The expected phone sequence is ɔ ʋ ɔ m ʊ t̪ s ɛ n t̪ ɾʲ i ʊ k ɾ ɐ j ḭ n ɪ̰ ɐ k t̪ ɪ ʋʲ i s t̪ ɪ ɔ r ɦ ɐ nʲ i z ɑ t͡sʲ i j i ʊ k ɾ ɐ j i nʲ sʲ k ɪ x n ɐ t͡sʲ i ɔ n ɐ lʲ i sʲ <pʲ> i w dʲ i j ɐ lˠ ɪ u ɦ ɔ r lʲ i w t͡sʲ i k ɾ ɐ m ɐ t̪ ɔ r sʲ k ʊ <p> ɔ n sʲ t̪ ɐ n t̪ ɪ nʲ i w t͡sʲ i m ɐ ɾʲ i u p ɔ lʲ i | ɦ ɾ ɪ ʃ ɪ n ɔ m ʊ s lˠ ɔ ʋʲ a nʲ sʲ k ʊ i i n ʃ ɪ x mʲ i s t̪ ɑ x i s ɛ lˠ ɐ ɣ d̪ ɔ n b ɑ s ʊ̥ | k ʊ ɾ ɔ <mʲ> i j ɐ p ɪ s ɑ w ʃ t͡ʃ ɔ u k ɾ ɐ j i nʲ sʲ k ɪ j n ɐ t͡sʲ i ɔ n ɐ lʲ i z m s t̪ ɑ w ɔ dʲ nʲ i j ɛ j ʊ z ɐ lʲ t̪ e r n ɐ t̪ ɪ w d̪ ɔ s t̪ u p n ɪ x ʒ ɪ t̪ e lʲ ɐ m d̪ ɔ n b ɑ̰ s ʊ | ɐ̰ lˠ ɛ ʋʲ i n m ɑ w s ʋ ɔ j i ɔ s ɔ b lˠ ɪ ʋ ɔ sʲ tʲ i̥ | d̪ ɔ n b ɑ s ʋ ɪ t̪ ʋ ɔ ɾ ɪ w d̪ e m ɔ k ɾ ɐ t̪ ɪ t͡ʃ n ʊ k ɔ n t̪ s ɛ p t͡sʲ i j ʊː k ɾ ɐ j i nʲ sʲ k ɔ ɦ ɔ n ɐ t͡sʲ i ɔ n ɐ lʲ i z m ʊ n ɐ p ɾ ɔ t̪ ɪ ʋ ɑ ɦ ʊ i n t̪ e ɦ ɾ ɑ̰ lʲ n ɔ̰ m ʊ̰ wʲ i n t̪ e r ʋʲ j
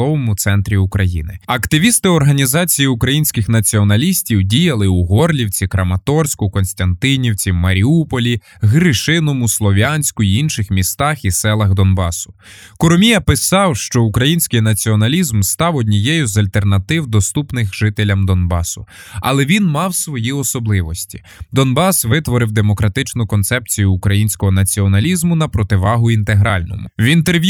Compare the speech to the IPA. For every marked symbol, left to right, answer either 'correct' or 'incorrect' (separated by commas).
incorrect, incorrect, correct